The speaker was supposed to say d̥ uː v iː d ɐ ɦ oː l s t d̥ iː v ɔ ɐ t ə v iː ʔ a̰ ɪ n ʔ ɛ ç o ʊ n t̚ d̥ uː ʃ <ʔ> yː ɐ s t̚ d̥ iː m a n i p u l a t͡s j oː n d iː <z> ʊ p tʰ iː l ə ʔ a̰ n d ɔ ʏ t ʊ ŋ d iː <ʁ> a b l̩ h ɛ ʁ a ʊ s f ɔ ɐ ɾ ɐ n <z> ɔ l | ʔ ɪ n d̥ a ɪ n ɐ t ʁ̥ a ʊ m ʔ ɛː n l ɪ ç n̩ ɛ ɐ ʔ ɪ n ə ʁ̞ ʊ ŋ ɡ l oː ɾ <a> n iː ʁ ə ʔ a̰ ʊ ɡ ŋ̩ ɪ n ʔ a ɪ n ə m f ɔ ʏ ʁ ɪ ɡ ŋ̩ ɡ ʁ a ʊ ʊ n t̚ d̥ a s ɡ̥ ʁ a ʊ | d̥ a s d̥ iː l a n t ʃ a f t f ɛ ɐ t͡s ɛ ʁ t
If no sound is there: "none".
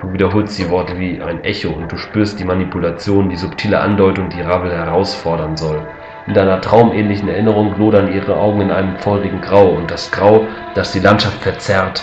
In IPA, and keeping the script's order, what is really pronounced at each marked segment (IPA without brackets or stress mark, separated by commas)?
p, z, ʁ, z, ɐ